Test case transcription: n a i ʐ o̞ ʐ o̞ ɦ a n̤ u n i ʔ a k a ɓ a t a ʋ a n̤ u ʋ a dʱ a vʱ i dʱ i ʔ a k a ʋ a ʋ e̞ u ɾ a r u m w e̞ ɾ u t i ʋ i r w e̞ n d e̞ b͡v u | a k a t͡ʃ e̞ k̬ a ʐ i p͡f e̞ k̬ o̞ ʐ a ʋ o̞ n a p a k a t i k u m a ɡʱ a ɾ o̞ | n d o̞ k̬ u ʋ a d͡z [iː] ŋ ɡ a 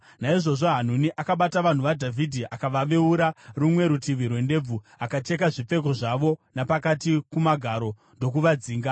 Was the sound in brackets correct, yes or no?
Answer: yes